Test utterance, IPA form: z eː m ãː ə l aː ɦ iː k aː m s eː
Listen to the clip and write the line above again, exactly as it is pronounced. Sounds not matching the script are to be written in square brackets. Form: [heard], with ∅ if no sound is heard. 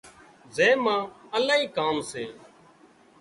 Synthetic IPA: z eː m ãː ə l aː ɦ iː k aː m s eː